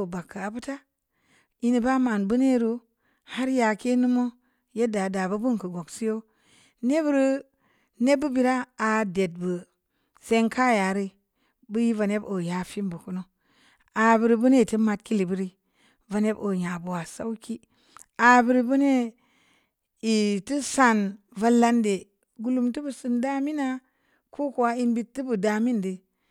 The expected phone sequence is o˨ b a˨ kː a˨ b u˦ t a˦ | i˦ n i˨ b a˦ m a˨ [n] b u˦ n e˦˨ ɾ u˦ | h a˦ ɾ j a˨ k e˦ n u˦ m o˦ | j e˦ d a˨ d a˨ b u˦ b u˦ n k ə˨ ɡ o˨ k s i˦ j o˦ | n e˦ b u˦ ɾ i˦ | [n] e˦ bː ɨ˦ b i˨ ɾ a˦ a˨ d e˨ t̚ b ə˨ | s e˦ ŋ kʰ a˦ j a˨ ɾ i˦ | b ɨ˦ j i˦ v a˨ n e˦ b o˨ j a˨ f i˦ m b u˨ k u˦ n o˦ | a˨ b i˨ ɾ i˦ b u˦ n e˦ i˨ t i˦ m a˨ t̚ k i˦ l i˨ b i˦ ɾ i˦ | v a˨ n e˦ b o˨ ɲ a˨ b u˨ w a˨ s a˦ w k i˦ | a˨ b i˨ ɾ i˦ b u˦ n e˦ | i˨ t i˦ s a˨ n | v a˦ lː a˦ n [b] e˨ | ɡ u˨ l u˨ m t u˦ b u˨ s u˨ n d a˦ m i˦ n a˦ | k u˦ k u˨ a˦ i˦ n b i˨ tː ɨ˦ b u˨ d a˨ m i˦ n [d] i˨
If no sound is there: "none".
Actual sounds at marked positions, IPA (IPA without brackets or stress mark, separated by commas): n, n, d, d